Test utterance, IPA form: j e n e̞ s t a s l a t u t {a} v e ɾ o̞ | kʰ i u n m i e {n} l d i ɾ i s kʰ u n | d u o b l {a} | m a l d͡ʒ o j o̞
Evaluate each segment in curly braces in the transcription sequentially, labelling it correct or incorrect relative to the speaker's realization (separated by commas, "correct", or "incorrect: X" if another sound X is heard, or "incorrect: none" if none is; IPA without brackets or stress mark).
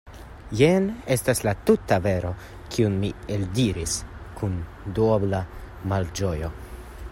correct, incorrect: none, correct